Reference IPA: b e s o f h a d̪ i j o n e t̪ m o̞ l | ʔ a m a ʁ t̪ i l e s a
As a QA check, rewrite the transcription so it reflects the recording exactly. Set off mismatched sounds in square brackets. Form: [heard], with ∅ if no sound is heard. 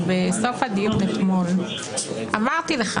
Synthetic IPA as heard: b e s o f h a d̪ i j [u] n e t̪ m o̞ l | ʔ a m a ʁ t̪ i l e [χ] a